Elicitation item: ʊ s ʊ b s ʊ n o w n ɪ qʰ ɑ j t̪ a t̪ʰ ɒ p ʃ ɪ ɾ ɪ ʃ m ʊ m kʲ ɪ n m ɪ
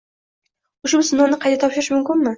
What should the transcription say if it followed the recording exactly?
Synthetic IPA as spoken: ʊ ʃ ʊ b s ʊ n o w n ɪ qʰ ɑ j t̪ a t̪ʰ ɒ p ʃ ɪ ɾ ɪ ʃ m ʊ m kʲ ɪ n m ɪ